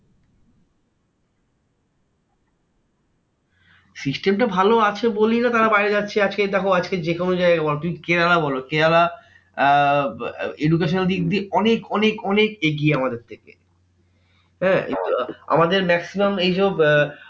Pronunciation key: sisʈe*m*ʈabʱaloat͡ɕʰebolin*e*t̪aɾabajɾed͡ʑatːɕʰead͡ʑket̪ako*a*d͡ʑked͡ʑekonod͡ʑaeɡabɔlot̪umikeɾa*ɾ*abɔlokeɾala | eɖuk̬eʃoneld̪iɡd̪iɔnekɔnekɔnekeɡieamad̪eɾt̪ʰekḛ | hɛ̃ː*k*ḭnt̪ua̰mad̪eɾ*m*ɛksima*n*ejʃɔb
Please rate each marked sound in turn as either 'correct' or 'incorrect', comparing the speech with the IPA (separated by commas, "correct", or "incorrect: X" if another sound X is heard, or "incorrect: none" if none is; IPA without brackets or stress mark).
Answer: correct, incorrect: a, correct, incorrect: l, correct, correct, incorrect: m